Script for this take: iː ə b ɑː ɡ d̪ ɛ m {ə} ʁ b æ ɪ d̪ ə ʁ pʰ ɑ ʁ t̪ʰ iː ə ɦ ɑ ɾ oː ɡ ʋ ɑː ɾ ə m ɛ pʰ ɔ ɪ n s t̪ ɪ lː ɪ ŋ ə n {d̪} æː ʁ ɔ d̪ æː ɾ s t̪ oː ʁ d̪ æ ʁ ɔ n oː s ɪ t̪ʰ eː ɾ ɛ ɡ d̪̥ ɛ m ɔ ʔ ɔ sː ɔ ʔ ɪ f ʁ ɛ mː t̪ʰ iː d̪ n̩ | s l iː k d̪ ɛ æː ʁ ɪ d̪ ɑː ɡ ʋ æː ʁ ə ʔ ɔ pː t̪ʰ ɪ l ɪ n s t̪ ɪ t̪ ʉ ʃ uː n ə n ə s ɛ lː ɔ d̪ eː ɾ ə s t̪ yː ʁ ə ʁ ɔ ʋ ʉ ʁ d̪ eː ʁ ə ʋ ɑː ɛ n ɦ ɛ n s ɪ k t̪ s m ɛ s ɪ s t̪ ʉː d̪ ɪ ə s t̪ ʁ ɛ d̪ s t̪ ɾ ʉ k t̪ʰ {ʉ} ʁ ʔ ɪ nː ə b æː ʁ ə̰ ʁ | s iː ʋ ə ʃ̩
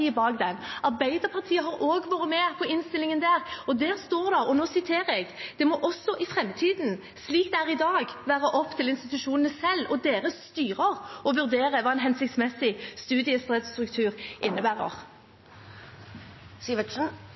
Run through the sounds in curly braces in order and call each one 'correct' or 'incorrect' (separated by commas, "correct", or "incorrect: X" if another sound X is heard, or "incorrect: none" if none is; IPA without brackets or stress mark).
incorrect: ɑ, correct, incorrect: ʉː